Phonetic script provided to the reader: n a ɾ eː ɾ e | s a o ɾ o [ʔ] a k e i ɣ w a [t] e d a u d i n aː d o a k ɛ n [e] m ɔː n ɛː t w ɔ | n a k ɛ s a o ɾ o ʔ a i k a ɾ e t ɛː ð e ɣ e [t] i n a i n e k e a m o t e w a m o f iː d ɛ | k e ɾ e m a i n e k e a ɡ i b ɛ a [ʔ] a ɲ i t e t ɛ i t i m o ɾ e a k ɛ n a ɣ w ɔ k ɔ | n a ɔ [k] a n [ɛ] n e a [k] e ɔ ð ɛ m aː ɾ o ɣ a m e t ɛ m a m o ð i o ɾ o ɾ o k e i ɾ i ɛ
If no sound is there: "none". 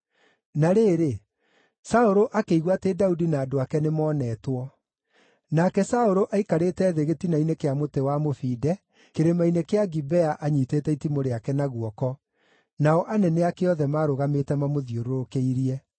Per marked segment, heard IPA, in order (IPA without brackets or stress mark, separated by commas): ʔ, t, e, t, ʔ, ʔ, ɛ, k